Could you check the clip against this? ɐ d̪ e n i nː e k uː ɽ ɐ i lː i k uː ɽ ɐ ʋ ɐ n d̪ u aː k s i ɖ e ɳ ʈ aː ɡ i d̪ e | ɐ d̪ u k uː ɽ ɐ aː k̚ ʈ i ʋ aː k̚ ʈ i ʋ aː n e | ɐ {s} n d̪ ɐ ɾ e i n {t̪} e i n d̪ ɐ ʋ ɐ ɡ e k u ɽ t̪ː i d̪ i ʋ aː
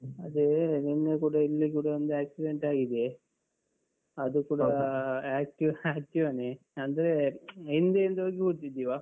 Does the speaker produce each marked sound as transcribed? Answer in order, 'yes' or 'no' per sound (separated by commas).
no, no